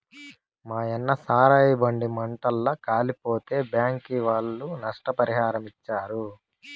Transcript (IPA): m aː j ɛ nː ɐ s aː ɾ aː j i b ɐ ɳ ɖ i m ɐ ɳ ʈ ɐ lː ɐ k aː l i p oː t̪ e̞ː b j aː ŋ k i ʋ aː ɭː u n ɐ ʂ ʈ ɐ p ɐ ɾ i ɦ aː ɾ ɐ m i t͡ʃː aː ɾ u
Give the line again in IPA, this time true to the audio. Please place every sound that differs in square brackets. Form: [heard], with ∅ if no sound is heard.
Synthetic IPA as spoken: m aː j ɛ nː ɐ s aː ɾ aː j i b ɐ ɳ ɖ i m ɐ ɳ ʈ ɐ lː ɐ k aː l i p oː t̪ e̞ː b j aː ŋ k i ʋ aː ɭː u n ɐ ʂ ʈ ɐ p ɐ ɾ i ɦ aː ɾ ɐ m i t͡ʃː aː ɾ u